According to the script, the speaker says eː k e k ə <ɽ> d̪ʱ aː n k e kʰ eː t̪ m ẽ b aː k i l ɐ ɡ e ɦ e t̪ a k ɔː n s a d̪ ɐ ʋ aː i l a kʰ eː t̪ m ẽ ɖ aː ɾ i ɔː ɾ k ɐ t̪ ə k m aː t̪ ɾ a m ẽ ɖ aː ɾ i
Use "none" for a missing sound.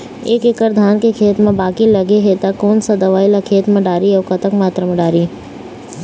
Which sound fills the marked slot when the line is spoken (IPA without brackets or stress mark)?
ɾ